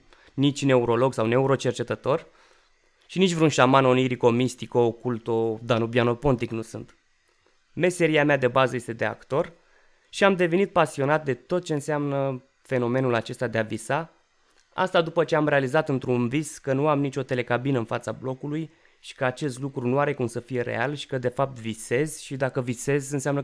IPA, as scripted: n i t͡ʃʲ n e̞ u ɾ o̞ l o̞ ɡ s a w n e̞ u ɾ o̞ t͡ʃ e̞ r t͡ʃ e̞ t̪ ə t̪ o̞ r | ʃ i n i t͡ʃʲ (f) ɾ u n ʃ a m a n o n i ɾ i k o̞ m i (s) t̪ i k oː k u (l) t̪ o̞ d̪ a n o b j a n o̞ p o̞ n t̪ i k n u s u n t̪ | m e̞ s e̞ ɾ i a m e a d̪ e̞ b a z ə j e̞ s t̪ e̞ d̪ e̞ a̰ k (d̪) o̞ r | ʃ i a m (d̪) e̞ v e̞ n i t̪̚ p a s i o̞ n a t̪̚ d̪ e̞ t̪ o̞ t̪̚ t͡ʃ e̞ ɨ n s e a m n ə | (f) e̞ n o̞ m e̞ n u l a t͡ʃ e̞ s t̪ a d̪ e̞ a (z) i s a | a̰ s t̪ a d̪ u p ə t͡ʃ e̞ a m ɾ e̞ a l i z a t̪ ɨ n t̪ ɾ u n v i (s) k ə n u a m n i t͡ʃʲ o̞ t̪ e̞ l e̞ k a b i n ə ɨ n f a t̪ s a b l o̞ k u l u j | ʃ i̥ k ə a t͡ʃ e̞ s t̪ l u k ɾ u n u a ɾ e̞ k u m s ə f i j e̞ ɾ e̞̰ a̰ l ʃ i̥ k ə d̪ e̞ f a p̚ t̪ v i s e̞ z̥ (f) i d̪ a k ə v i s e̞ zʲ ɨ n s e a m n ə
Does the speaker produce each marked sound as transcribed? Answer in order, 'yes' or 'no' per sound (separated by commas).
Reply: no, yes, yes, no, yes, yes, no, yes, no